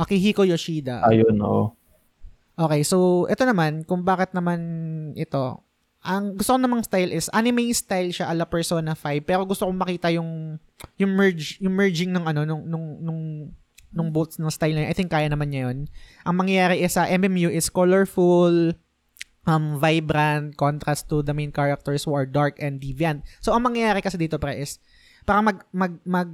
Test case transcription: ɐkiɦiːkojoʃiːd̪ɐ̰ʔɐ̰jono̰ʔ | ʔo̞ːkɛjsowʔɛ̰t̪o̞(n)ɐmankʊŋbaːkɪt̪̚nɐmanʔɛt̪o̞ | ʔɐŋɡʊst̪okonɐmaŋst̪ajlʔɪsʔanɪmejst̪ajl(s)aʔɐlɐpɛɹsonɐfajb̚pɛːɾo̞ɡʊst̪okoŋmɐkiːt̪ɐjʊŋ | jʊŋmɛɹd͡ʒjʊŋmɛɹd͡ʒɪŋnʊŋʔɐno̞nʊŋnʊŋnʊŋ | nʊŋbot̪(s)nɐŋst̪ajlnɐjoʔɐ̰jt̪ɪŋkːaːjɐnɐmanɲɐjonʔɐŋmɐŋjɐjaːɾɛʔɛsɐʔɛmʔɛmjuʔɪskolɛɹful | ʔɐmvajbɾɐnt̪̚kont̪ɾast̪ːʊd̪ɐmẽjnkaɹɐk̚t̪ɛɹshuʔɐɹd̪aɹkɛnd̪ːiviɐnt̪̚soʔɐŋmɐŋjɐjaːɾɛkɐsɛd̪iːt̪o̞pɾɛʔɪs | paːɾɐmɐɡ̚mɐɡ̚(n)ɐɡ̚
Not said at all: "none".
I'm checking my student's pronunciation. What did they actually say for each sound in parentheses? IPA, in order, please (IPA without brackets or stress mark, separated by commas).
n, ʃ, s, m